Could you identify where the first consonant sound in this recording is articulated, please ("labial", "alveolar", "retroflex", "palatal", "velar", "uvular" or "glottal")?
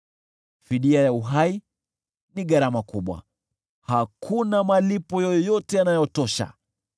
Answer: labial